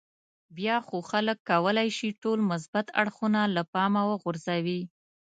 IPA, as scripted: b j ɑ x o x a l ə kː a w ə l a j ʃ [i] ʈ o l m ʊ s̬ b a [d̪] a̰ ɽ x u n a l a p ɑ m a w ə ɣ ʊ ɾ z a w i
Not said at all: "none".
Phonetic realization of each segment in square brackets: i, t̪

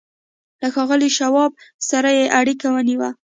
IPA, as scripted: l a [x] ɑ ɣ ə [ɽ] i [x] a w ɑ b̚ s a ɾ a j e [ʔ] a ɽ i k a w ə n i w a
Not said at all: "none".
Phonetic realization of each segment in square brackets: x, l, ʃ, ʔ

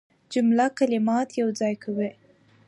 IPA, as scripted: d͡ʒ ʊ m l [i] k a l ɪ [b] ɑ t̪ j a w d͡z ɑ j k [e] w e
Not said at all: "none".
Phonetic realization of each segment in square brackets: a, m, a

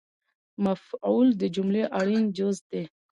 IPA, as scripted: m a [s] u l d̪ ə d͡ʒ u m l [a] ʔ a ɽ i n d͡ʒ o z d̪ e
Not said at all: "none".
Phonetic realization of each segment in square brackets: f, e

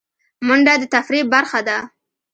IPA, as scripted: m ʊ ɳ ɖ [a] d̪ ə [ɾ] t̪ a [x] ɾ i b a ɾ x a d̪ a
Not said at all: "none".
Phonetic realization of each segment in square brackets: a, none, f

